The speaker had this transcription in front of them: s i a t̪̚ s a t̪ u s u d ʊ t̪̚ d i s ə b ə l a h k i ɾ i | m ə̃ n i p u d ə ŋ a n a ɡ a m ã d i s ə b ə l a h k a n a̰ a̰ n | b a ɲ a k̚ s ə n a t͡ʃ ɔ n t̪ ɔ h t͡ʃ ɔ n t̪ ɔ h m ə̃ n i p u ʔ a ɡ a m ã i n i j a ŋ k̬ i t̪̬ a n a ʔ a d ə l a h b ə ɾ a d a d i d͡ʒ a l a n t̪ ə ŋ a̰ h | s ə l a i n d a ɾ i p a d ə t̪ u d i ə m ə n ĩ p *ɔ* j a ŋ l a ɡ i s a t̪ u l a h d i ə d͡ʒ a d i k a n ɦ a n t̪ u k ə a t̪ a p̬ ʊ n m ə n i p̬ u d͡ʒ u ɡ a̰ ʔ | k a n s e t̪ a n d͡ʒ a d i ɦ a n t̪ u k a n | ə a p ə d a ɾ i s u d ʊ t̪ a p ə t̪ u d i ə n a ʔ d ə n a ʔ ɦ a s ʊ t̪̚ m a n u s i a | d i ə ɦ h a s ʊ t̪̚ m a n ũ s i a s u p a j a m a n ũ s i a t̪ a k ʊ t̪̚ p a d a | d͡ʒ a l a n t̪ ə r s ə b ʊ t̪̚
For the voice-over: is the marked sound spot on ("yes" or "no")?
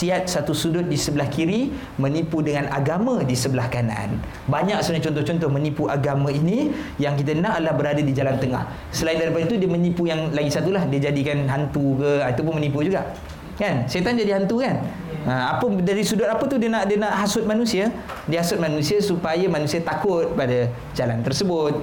no